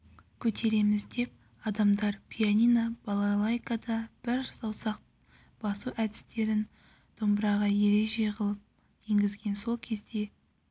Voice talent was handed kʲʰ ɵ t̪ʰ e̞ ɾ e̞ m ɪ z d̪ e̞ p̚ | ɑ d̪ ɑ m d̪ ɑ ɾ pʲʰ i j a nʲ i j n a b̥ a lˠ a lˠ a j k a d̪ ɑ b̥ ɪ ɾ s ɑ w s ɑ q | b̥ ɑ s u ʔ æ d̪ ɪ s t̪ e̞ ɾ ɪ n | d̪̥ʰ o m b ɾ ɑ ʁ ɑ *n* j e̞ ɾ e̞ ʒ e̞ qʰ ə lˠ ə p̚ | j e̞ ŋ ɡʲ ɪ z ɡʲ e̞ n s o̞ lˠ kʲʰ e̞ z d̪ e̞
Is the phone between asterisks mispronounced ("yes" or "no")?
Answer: yes